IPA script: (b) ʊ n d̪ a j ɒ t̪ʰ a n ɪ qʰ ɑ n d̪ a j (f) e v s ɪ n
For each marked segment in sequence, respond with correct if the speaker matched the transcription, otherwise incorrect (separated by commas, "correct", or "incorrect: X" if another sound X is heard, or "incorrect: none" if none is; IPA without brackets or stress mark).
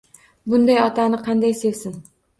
correct, incorrect: s